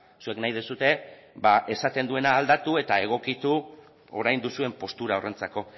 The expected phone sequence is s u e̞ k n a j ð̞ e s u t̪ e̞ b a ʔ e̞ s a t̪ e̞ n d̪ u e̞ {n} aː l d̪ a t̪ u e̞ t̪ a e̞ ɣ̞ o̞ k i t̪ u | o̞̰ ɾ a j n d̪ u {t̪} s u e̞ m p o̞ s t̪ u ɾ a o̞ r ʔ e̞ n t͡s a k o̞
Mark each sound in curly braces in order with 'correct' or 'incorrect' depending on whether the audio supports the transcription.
correct, incorrect

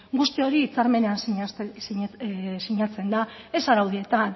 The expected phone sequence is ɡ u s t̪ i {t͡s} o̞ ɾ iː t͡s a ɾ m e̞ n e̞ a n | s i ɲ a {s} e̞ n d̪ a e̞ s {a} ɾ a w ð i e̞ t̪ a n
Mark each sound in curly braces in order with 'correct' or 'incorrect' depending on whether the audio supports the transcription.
incorrect, incorrect, correct

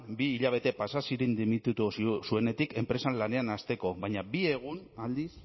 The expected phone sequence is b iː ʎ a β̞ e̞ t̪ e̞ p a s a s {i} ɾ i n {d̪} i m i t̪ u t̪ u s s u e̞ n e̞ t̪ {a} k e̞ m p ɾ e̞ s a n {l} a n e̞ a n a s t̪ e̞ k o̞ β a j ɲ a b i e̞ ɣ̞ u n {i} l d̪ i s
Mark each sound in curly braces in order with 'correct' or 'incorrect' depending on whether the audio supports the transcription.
correct, correct, incorrect, correct, incorrect

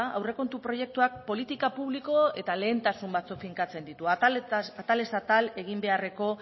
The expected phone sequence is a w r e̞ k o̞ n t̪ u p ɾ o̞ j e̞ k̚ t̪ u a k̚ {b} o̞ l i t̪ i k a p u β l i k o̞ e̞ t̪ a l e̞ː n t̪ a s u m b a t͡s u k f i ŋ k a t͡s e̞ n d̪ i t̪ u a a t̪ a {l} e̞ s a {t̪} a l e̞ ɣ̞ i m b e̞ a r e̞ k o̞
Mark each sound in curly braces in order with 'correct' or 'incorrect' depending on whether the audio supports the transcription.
incorrect, correct, correct

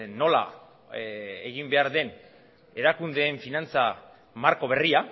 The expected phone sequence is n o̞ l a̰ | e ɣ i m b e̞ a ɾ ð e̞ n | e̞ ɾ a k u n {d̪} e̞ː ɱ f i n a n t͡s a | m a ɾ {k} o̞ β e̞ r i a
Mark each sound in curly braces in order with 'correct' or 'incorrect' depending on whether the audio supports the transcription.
correct, correct

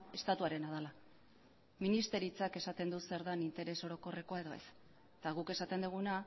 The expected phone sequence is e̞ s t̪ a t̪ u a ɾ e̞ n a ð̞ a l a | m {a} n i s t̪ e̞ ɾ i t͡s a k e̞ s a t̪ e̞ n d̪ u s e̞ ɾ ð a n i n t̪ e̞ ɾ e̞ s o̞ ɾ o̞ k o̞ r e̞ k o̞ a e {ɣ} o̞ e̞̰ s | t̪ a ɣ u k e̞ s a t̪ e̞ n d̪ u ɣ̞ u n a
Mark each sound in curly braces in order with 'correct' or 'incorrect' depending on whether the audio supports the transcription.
incorrect, incorrect

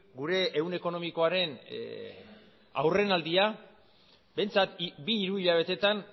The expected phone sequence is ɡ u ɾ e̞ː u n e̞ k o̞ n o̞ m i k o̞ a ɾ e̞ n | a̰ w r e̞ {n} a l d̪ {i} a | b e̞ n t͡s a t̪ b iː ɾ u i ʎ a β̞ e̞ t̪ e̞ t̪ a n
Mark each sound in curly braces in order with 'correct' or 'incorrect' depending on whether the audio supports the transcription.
correct, correct

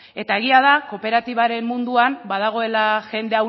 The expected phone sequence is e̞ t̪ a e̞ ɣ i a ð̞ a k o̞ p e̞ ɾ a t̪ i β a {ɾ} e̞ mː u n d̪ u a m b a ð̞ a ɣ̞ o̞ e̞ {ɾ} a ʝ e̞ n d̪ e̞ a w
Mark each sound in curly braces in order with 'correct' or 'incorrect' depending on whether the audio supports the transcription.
correct, incorrect

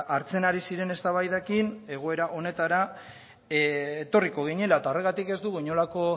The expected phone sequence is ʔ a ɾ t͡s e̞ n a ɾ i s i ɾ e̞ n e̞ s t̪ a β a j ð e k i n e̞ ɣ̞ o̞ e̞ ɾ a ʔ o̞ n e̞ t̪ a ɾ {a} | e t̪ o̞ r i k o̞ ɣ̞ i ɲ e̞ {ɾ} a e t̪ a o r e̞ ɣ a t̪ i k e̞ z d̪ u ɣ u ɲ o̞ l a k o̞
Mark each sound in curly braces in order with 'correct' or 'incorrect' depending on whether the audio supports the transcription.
correct, incorrect

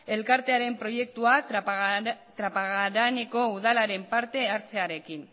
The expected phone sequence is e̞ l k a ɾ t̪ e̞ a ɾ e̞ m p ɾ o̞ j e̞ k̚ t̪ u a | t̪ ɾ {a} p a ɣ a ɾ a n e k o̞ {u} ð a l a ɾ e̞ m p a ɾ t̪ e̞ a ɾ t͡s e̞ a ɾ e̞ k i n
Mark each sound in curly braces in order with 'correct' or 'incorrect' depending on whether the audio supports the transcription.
correct, correct

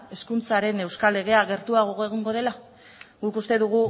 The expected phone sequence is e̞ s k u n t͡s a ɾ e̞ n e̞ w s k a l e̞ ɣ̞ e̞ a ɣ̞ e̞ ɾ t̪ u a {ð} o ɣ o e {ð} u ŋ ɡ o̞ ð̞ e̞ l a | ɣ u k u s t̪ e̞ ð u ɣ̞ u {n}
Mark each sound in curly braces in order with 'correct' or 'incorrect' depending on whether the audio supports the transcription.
incorrect, incorrect, incorrect

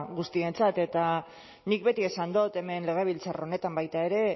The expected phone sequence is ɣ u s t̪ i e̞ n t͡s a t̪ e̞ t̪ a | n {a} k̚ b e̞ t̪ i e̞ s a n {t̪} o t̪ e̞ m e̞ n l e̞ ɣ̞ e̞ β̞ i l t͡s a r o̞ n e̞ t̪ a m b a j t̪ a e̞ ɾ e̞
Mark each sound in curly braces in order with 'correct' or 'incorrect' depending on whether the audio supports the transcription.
incorrect, incorrect

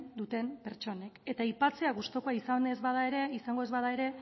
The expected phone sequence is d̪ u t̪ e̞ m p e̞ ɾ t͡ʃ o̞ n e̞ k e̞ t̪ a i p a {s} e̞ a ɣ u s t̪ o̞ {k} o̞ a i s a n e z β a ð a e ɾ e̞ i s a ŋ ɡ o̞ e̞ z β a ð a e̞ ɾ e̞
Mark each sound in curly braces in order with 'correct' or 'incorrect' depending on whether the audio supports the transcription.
incorrect, correct

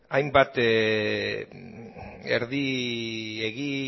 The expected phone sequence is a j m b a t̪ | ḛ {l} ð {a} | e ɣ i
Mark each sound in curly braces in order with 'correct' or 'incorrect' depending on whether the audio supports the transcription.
incorrect, incorrect

